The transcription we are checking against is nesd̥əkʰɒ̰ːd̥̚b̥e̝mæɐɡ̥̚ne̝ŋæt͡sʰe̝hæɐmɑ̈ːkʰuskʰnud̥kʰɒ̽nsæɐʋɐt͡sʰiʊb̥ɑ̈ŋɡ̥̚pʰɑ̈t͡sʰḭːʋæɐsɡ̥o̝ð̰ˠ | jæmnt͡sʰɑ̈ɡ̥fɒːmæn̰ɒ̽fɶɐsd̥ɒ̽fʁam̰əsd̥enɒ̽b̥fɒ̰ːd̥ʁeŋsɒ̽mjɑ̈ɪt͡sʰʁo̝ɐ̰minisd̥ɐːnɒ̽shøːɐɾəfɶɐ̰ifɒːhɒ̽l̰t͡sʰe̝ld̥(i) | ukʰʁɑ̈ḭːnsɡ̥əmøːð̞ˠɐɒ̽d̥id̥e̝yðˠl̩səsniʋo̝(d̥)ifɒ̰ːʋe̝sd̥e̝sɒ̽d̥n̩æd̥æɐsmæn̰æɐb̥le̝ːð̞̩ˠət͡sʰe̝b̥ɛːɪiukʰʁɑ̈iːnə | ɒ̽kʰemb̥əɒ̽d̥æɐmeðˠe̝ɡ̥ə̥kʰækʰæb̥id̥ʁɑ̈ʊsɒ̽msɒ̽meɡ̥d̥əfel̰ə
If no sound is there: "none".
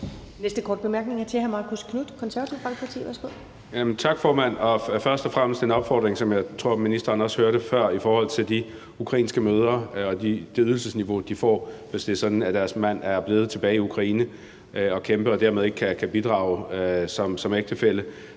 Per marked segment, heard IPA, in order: i, d̥

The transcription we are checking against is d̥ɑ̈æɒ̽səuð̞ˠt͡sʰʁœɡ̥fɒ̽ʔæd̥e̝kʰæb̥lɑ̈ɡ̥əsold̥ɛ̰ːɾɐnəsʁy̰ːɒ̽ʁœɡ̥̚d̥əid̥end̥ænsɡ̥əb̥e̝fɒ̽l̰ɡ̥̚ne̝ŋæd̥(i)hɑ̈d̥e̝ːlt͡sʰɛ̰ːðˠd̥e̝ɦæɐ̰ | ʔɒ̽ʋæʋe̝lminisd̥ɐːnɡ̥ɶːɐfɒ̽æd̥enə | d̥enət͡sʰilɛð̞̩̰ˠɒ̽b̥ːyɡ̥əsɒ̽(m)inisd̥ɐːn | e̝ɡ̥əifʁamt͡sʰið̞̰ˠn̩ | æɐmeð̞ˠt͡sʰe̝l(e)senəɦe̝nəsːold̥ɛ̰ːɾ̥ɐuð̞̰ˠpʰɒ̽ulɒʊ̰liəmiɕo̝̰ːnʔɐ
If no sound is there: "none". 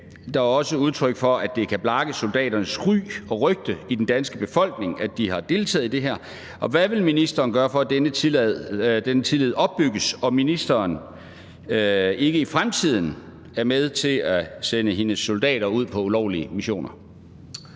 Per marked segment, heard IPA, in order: i, m, æ

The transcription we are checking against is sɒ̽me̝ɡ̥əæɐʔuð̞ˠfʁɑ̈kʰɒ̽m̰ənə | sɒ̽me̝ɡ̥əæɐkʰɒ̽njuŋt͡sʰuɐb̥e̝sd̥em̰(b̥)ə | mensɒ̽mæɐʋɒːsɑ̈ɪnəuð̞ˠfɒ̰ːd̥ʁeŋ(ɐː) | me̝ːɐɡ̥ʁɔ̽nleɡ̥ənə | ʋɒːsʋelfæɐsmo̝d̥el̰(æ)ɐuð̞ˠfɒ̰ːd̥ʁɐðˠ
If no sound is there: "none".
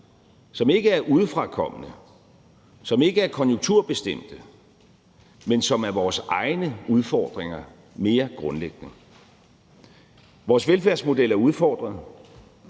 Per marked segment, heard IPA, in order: d̥, ɐ, æ

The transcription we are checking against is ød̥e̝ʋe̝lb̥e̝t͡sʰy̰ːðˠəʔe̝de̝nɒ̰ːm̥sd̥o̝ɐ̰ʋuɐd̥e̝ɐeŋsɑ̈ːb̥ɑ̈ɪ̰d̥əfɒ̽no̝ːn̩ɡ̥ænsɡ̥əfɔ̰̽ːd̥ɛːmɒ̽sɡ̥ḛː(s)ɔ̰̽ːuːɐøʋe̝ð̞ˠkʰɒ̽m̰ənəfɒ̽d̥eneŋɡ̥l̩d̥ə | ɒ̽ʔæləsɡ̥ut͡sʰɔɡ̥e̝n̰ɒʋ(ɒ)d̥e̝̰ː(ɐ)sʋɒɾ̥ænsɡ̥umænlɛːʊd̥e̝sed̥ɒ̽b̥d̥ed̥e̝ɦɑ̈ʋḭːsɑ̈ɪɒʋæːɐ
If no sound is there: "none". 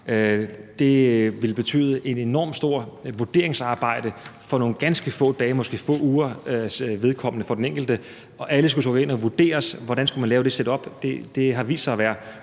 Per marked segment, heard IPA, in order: f, u, ɐ

